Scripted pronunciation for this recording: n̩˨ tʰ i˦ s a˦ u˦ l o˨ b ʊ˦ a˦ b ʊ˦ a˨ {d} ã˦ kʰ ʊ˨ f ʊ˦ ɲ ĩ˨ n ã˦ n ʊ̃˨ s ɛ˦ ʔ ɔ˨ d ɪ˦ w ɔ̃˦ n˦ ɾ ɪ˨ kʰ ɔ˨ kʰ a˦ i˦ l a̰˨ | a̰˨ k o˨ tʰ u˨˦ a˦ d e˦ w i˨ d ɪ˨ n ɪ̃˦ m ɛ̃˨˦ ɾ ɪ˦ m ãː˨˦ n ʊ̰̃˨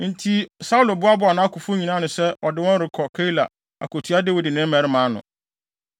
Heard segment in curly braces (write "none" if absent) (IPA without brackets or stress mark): n